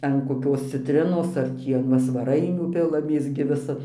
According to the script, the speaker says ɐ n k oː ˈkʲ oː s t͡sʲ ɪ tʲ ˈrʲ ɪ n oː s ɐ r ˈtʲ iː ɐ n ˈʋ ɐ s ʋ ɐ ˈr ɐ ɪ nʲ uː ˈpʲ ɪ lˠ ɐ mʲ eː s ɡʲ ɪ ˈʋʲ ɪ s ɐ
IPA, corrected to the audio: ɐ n k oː ˈkʲ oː s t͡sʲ ɪ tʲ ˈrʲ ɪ n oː s ɐ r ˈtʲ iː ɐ n ˈʋ ɐ s ʋ ɐ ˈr ɐ ɪ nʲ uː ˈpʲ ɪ lˠ ɐ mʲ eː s ɡʲ ɪ ˈʋʲ ɪ s ɐ